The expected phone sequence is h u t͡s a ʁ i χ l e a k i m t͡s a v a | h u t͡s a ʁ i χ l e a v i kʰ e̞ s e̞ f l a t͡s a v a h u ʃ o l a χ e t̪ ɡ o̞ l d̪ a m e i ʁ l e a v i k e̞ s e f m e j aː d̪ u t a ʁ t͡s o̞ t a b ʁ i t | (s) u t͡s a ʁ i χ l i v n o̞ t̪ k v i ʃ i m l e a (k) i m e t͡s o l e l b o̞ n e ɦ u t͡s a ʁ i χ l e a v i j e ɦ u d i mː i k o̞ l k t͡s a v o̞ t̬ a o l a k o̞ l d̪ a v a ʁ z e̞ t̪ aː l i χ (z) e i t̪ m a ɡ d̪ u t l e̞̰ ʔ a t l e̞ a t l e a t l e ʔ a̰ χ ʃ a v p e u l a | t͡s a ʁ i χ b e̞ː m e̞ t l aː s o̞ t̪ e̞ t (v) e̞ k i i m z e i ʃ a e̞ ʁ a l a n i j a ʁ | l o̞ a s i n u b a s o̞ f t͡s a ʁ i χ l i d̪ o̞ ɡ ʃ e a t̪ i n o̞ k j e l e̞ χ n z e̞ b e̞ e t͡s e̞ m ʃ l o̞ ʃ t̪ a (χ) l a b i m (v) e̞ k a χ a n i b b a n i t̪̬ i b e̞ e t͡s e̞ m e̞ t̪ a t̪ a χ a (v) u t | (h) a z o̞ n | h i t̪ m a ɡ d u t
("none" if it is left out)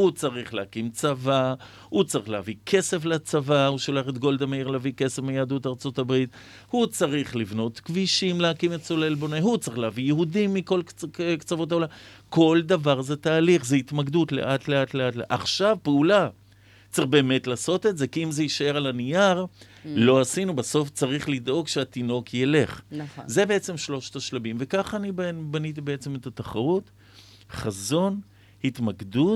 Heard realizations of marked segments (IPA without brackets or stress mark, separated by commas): h, k, z, z, ʃ, v, ʁ, χ